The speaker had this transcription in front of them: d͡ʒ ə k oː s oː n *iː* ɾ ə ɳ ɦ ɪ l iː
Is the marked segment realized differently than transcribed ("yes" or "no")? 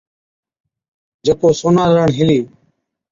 yes